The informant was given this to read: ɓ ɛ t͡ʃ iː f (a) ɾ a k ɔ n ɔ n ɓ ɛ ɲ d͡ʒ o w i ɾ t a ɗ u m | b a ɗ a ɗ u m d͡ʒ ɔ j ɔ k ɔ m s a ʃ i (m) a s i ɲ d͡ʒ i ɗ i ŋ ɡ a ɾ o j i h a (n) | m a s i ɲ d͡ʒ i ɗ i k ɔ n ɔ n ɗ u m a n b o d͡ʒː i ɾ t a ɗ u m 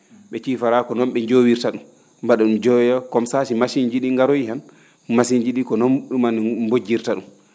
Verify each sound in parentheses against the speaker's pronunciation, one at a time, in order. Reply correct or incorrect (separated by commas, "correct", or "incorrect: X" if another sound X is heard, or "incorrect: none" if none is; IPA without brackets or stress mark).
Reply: correct, correct, correct